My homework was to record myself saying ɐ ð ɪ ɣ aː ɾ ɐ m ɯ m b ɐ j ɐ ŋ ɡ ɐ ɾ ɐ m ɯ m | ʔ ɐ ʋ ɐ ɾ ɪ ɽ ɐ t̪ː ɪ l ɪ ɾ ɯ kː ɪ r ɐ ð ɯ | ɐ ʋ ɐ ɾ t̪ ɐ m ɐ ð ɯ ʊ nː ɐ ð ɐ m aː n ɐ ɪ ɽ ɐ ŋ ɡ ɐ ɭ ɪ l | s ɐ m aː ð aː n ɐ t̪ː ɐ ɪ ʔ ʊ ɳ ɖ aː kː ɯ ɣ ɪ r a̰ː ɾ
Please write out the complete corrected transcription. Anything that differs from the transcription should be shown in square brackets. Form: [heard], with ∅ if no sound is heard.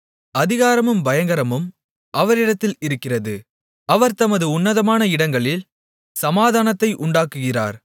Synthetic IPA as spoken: ɐ ð ɪ ɣ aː ɾ ɐ m ɯ m b ɐ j ɐ ŋ ɡ ɐ ɾ ɐ m ɯ m | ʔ ɐ ʋ ɐ ɾ ɪ ɽ ɐ t̪ː ɪ l ɪ ɾ ɯ kː ɪ r ɐ ð ɯ | ɐ ʋ ɐ ɾ t̪ ɐ m ɐ ð ɯ ʊ nː ɐ ð ɐ m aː n ɐ ɪ ɽ ɐ ŋ ɡ ɐ ɭ ɪ l | s ɐ m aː ð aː n ɐ t̪ː ɐ ɪ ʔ ʊ ɳ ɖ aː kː ɯ ɣ ɪ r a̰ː ɾ